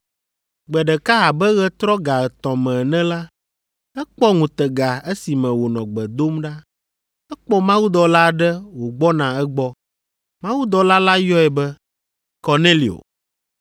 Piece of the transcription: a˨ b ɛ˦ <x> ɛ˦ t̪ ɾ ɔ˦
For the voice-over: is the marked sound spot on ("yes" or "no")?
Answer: no